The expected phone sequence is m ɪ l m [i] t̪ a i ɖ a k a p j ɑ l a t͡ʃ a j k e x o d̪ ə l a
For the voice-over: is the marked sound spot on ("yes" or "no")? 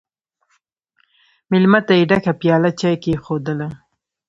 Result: no